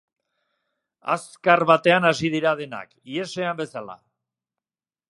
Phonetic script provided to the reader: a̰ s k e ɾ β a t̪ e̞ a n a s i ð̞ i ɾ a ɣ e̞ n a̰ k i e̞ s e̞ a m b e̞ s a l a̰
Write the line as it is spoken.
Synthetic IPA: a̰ s k a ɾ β a t̪ e̞ a n a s i ð̞ i ɾ a ð e̞ n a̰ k i e̞ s e̞ a m b e̞ s a l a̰